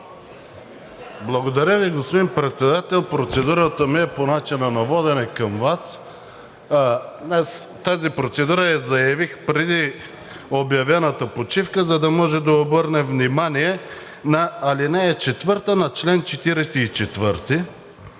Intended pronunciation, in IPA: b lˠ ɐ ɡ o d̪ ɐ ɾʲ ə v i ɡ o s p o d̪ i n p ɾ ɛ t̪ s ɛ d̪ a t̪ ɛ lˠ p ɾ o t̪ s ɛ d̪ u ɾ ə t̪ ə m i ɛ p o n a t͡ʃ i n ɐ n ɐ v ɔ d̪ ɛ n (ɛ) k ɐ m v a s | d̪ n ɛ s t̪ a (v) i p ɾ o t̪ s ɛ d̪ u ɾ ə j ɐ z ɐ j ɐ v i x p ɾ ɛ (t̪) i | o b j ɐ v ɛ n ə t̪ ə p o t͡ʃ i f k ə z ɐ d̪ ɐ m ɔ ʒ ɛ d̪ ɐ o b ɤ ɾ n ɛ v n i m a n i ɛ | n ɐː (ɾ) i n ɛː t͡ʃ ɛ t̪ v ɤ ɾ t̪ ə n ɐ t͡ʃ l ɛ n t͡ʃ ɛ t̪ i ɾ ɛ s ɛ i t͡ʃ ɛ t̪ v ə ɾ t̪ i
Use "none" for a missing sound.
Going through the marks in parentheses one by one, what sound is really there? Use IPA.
ɛ, z, d̪, l

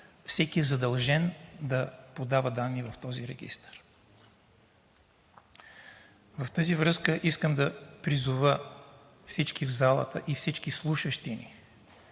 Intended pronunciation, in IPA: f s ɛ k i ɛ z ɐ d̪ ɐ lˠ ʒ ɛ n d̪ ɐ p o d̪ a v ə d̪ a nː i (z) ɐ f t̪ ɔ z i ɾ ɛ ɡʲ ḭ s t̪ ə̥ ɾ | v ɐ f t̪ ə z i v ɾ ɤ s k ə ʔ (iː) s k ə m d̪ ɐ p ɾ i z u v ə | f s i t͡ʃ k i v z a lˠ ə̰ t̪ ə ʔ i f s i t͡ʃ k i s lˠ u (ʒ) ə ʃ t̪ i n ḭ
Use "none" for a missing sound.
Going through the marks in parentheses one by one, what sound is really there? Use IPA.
v, i, ʃ

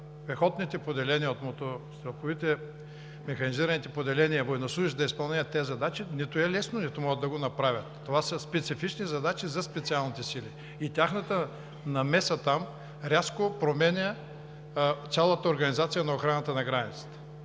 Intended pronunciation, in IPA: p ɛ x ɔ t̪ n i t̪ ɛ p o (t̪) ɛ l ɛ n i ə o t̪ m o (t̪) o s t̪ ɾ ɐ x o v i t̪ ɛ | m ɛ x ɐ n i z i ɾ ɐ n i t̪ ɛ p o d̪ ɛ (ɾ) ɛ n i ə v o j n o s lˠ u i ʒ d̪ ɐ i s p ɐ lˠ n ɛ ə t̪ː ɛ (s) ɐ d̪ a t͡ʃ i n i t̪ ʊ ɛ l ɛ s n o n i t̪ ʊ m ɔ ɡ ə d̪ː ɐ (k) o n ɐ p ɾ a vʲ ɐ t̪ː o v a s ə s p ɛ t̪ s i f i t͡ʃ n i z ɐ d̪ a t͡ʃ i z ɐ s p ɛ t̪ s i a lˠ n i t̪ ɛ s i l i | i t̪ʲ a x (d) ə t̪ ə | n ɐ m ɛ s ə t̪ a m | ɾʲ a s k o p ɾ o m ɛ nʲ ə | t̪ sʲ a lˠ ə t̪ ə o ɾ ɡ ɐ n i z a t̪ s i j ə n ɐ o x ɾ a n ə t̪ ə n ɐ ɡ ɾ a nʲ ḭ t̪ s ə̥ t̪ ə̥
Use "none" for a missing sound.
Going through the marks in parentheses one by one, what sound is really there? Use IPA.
d̪, t̪, l, z, ɡ, n

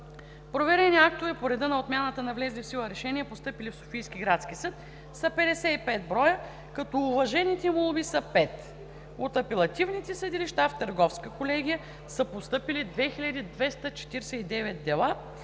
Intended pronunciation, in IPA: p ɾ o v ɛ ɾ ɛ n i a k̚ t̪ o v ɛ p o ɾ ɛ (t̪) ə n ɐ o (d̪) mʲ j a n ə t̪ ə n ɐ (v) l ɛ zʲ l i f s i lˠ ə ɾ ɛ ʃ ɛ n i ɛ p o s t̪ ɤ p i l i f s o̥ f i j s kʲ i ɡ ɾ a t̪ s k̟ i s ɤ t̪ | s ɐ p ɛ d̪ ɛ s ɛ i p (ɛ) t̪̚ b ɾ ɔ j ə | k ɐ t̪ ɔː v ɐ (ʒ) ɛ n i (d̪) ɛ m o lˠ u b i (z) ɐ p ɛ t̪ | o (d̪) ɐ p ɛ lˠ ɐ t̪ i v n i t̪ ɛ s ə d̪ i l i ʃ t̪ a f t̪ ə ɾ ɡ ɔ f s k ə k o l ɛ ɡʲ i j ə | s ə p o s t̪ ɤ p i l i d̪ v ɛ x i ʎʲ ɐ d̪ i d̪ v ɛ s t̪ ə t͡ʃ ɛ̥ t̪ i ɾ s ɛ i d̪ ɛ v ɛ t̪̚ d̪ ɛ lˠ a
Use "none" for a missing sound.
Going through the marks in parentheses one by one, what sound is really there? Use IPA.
d̪, t̪, v, ɛ, ʒ, t̪, s, t̪

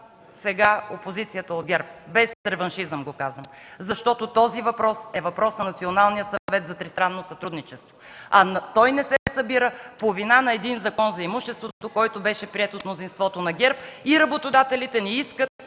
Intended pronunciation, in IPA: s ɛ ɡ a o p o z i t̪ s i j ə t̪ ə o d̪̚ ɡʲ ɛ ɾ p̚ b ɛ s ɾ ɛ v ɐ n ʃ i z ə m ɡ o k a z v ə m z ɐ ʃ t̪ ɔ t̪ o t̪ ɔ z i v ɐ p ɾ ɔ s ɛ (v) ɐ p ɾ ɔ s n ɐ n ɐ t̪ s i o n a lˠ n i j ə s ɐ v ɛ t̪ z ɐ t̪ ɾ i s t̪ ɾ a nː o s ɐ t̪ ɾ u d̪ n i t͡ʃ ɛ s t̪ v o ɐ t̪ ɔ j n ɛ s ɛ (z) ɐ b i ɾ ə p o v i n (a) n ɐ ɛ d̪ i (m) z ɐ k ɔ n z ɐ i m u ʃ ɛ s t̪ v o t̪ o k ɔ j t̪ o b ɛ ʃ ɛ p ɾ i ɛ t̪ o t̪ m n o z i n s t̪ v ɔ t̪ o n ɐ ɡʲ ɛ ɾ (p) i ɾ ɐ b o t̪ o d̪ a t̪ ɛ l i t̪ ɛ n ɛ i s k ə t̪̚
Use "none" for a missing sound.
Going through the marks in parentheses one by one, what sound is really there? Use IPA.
v, s, a, n, p

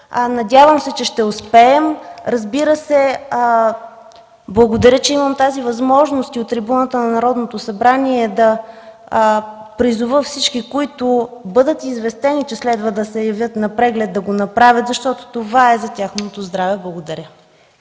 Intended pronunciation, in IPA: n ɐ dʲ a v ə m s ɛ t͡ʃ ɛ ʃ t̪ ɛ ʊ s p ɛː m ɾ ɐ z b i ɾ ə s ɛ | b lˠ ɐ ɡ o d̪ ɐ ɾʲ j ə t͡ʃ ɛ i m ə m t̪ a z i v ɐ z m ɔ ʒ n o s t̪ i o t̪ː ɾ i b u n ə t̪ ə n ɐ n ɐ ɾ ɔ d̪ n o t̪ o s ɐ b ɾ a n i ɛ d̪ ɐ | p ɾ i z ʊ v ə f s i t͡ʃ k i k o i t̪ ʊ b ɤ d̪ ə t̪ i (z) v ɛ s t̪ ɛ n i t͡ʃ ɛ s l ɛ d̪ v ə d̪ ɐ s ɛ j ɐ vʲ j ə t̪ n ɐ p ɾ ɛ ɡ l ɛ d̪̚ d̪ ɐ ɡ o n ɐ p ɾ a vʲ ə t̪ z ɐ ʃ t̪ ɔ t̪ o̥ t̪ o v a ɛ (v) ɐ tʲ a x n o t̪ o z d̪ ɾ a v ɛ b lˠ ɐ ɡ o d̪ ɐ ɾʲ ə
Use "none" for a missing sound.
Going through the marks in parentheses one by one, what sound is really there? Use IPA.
z, z

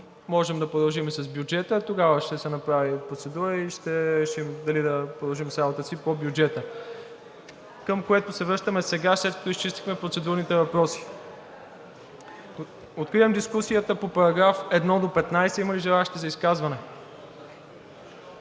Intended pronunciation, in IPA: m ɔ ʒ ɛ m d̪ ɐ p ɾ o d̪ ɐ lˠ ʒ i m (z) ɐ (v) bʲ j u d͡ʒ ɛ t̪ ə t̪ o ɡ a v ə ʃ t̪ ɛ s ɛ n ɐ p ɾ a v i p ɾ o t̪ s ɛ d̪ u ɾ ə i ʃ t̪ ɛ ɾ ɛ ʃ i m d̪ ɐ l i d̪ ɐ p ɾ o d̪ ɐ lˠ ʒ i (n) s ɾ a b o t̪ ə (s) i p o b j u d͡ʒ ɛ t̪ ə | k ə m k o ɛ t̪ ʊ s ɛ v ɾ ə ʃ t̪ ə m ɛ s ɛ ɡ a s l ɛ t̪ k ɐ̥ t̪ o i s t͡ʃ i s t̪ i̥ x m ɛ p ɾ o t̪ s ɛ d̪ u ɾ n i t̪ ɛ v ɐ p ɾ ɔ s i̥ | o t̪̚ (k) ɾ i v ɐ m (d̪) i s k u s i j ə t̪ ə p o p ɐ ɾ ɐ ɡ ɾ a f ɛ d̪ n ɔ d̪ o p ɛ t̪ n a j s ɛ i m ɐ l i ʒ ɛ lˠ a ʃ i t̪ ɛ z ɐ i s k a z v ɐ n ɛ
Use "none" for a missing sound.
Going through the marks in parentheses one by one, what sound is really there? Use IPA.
s, z, m, s, k, d̪

